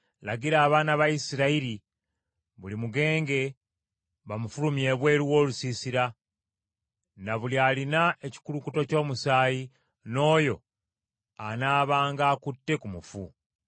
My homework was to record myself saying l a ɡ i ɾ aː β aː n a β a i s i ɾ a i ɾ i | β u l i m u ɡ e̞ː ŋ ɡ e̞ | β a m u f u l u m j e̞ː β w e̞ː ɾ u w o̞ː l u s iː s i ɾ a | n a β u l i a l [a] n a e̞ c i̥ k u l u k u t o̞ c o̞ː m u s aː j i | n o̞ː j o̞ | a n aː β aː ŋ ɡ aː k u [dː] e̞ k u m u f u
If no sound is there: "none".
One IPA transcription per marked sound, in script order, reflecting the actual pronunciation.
i, tː

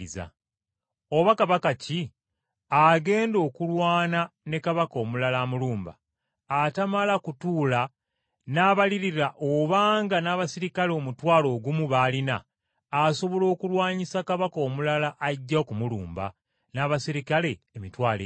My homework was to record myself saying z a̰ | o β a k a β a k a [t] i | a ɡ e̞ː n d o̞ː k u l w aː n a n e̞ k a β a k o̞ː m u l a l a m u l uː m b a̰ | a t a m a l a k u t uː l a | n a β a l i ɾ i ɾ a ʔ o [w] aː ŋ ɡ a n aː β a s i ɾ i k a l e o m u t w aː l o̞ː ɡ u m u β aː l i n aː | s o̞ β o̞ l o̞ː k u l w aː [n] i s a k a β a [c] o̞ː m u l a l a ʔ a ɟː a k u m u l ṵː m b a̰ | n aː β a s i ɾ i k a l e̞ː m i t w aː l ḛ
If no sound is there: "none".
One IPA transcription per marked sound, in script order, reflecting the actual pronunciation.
c, β, ɲ, k

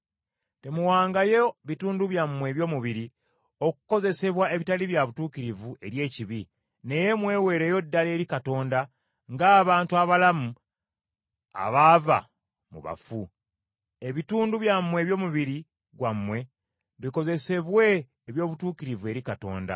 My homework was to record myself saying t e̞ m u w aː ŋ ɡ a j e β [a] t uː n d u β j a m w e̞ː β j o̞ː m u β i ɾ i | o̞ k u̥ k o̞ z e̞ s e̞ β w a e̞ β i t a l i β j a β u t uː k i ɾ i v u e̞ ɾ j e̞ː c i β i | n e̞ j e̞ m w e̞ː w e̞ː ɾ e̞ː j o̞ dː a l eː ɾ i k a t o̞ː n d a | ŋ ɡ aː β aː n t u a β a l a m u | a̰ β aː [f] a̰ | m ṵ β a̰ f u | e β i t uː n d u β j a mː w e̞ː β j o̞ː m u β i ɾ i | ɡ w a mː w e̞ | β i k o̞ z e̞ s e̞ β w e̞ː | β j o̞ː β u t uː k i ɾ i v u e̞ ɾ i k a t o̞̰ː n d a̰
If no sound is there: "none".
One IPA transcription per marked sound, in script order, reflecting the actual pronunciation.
i, v

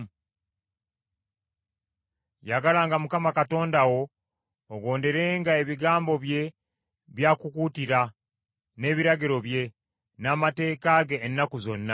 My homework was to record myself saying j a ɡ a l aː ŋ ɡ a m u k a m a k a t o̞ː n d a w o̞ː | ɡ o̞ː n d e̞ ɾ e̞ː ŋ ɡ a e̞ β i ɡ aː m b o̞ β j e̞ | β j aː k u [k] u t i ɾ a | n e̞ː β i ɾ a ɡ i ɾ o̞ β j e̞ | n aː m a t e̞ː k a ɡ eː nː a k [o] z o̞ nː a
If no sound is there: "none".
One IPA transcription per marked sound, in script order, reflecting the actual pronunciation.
k, u

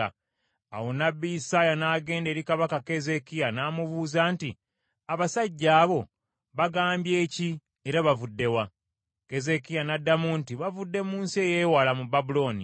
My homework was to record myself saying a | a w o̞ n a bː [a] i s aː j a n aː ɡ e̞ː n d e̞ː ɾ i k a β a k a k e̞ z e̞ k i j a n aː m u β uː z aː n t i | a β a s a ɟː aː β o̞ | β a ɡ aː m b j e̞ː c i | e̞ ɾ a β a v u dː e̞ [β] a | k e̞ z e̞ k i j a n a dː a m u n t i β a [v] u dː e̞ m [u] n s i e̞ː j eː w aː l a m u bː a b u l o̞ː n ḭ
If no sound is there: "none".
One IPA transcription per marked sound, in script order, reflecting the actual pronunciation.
i, w, v, uː

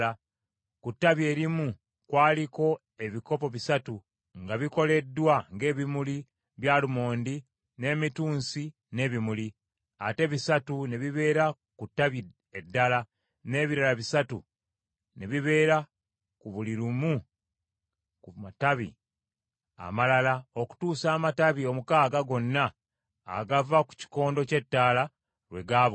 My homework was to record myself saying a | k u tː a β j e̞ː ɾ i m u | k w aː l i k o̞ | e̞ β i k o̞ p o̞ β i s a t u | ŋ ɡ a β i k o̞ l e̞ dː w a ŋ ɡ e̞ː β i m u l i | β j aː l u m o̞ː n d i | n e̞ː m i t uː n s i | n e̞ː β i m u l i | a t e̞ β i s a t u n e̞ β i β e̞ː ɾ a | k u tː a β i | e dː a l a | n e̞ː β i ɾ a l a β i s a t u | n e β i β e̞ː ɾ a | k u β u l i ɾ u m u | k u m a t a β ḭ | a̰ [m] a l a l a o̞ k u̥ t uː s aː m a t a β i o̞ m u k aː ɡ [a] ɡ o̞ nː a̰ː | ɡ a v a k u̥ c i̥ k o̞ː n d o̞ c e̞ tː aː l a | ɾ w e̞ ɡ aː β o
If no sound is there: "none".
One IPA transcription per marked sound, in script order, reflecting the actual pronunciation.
m, a

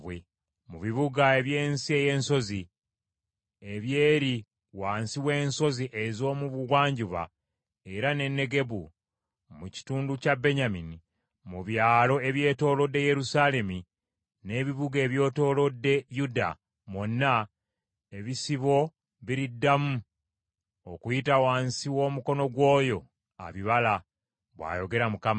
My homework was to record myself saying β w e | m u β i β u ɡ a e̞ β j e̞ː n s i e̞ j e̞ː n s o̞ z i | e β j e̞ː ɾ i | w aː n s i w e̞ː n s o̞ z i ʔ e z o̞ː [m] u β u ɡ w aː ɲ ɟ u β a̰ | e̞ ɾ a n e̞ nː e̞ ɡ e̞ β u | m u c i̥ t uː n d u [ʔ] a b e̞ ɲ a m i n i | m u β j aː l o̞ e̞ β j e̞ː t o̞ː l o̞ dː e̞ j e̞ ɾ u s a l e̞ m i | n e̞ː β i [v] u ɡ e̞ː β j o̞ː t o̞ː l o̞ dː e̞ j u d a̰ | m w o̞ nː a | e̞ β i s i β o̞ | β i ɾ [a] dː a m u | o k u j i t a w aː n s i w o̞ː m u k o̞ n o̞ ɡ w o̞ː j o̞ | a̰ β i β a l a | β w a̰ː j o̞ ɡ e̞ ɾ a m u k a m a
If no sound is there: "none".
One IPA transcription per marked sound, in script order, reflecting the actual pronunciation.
m, c, β, i

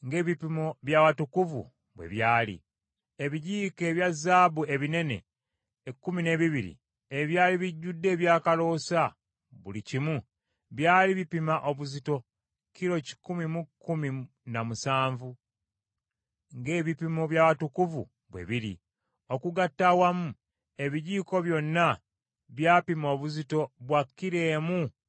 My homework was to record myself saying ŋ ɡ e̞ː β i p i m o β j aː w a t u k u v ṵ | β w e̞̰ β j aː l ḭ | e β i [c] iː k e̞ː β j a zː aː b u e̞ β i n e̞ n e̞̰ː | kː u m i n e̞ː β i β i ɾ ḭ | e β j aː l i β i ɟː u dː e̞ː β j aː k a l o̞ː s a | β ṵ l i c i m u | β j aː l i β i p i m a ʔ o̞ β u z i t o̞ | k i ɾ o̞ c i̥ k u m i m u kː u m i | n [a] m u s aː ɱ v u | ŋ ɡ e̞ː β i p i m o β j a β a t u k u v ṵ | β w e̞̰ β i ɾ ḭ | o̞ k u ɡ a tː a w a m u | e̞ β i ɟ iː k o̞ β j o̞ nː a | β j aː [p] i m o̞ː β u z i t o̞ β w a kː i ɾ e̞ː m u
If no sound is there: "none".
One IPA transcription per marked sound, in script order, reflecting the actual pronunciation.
ɟ, a, p

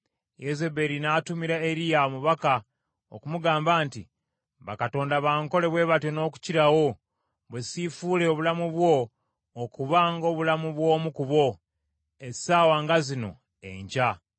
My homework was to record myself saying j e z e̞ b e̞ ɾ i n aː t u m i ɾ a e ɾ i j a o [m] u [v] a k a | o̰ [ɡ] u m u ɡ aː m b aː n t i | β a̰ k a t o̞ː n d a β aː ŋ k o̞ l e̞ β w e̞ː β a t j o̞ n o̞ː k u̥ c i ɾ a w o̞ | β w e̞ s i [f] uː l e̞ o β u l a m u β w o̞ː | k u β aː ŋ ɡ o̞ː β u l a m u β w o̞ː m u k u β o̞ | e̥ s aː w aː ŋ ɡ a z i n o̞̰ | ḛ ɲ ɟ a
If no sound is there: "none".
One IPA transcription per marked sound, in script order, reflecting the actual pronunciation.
m, β, k, f

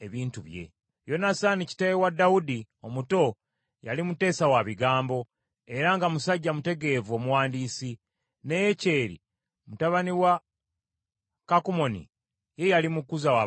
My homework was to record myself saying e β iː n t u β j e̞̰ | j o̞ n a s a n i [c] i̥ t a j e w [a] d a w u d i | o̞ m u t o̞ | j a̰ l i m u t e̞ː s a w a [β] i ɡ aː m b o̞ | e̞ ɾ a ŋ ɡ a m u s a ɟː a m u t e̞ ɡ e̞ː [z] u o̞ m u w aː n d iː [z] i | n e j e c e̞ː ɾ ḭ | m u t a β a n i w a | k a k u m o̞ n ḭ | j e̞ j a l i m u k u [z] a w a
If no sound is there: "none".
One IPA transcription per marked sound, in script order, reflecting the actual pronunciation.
c, a, β, v, s, z

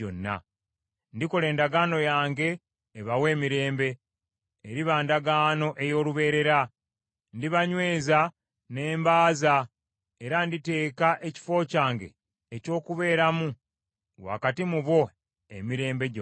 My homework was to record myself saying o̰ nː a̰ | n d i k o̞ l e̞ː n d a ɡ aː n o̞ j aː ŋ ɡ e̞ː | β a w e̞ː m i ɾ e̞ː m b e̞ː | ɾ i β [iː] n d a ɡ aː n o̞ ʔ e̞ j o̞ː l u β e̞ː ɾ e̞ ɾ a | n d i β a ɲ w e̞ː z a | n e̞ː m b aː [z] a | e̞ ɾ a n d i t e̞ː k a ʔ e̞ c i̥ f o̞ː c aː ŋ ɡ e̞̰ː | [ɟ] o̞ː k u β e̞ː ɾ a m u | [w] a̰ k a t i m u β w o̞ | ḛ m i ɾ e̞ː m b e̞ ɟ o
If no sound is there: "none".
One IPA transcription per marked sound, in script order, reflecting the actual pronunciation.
aː, z, c, w

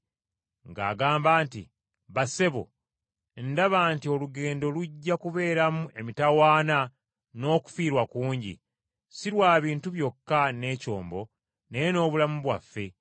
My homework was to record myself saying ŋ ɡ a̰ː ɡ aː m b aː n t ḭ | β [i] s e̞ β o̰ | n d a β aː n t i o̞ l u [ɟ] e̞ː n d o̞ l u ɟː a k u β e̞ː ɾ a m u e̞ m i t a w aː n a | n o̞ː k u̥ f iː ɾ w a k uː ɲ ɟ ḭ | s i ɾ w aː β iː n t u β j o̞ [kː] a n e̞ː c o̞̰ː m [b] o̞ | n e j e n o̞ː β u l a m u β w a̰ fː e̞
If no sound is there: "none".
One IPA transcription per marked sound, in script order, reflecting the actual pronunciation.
a, ɡ, kː, b

